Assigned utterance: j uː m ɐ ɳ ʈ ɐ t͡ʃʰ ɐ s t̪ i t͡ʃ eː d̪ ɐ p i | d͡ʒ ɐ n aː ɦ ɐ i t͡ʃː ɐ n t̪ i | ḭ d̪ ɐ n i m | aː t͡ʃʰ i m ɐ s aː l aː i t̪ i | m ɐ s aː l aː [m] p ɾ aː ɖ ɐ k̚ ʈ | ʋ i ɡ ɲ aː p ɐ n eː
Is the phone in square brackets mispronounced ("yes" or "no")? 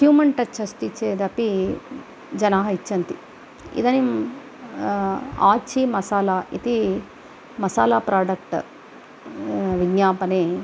yes